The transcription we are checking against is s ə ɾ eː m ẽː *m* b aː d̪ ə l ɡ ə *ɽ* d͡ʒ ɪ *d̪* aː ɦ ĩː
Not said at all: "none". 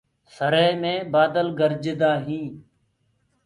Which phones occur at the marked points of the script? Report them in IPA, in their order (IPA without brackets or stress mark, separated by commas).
none, ɾ, d̪